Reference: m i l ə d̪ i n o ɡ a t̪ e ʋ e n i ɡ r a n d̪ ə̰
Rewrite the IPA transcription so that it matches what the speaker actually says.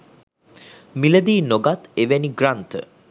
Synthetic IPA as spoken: m i l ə d̪ iː n o ɡ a t̪ e ʋ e n i ɡ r a n t̪ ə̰